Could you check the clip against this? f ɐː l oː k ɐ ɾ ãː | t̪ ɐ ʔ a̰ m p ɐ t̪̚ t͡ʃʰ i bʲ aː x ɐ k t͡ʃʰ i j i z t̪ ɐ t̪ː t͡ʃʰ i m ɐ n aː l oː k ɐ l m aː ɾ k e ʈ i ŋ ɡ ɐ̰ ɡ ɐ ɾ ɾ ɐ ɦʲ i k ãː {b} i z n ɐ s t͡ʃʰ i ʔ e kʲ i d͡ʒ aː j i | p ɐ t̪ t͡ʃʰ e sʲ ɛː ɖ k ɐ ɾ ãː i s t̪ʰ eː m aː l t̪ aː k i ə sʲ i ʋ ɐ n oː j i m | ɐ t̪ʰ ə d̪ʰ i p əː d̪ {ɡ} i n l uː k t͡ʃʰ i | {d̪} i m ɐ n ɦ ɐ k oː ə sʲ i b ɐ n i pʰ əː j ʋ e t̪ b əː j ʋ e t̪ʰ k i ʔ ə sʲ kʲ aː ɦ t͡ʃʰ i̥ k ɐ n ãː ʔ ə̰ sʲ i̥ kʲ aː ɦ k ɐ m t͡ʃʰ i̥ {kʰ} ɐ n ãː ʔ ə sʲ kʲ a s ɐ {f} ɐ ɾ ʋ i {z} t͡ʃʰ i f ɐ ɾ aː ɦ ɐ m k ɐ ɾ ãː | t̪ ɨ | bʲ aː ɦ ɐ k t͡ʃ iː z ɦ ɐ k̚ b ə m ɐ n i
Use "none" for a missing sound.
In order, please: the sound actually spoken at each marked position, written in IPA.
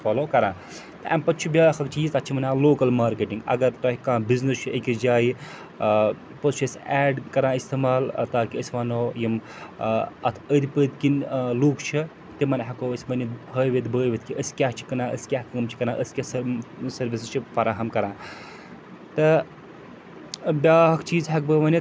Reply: b, k, t̪, k, s, s

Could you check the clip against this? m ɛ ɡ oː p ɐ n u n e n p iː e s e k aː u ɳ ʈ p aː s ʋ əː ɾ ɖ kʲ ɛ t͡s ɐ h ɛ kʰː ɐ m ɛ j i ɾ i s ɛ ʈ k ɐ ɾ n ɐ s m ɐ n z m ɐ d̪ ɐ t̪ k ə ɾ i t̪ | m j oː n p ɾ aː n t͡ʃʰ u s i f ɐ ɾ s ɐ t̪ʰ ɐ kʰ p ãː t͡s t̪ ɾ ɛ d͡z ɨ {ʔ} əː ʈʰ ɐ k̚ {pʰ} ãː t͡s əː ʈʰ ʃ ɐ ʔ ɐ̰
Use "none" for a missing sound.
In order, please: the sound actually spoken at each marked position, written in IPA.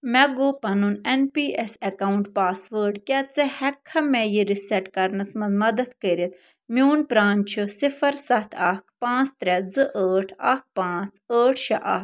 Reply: ʔ, p

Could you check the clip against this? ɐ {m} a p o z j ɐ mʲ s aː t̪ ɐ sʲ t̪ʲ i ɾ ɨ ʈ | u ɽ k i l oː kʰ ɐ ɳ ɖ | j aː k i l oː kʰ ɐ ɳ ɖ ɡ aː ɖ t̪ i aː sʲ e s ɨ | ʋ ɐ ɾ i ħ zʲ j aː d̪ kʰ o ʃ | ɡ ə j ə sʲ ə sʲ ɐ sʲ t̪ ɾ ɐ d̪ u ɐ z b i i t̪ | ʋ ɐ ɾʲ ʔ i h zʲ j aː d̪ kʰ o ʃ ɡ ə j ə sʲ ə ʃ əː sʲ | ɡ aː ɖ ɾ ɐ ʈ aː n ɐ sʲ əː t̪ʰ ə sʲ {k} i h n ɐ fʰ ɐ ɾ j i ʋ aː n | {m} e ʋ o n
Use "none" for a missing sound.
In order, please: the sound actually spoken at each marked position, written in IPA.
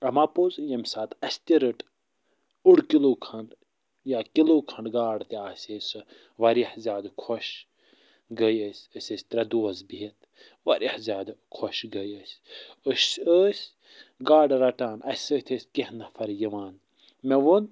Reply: m, k, m

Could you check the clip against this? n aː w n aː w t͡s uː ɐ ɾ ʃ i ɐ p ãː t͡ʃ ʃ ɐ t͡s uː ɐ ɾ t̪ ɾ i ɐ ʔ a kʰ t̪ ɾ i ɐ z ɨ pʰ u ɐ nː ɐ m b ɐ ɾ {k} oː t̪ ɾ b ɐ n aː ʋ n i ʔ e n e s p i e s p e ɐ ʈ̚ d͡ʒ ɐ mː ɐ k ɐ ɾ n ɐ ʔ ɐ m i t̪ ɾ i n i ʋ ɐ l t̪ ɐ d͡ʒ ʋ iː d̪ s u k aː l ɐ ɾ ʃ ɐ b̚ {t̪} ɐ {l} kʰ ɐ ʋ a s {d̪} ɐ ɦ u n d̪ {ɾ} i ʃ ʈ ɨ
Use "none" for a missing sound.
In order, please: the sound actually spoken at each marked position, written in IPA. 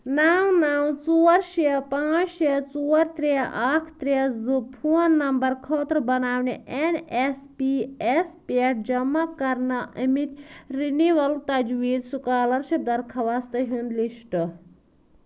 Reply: kʰ, d̪, ɾ, t̪, l

